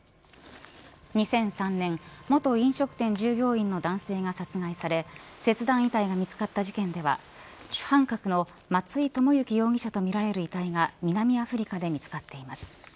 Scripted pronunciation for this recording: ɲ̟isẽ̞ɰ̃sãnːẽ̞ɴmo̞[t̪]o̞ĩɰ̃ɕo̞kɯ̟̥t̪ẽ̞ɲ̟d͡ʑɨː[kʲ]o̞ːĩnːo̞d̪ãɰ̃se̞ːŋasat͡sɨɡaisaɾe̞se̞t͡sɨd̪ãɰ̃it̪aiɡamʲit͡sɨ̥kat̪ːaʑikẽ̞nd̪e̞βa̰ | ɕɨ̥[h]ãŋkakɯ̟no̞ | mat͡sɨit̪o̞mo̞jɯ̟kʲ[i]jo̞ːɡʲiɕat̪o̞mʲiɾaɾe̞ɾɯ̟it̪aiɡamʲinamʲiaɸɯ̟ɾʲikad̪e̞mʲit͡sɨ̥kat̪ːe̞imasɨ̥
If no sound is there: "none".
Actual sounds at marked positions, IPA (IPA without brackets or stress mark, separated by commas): t̪, ɡʲ, h, i